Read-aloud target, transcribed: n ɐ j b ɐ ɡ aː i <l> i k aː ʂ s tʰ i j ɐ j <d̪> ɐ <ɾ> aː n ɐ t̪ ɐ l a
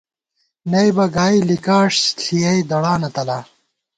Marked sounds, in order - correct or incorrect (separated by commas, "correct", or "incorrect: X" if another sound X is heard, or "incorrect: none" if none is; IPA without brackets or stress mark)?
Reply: correct, correct, incorrect: ɽ